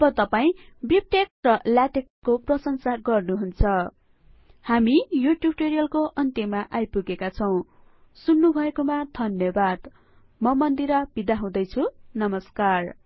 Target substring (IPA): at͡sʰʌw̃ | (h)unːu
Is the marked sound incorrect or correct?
incorrect